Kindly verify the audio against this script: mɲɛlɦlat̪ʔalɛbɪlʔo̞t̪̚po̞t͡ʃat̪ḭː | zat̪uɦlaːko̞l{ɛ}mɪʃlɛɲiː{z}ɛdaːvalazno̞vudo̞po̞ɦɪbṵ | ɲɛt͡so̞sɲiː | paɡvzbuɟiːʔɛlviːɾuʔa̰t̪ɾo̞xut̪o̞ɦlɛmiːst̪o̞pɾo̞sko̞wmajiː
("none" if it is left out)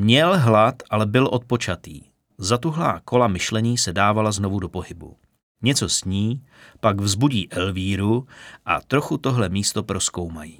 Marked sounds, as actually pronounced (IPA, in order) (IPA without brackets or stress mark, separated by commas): a, s